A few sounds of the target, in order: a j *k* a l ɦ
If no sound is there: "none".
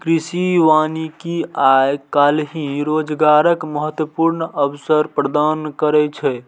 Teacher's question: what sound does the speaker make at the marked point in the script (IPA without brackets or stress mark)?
k